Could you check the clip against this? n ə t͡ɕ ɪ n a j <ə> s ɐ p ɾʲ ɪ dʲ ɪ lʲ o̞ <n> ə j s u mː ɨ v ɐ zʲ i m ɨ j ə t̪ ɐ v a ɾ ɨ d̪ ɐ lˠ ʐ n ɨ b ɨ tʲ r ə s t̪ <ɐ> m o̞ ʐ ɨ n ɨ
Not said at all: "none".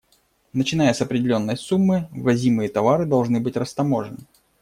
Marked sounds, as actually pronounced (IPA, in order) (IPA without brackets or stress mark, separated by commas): ə, nː, ɐ